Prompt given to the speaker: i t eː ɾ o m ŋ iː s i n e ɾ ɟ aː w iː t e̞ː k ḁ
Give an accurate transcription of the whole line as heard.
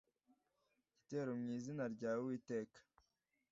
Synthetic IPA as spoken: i t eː ɾ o m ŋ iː z i n a ɾ ɟ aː w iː t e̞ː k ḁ